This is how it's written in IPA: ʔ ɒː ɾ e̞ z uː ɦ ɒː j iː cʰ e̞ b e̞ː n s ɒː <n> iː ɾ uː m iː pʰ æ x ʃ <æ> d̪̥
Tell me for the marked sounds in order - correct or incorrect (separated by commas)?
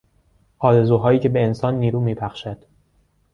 incorrect, correct